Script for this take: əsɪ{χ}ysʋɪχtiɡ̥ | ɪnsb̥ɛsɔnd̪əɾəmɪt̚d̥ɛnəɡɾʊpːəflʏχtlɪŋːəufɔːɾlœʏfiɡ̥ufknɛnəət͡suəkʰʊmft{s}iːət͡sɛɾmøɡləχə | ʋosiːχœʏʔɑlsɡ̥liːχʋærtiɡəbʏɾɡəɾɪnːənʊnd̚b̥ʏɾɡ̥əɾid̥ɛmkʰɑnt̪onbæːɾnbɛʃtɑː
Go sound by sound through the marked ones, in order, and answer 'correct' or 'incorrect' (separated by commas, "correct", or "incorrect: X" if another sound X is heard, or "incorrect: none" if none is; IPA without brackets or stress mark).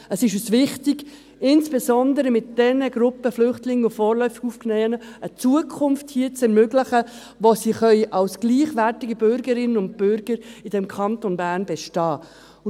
incorrect: ʃ, incorrect: h